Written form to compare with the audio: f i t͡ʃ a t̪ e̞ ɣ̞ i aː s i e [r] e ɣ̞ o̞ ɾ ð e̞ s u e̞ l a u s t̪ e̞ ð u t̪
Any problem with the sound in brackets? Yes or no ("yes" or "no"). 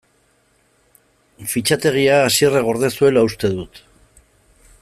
no